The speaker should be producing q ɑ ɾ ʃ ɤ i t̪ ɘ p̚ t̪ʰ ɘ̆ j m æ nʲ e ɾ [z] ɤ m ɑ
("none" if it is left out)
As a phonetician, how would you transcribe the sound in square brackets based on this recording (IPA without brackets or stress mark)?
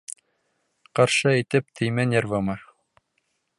v